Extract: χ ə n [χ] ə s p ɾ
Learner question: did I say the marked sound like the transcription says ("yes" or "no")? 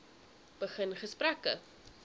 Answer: yes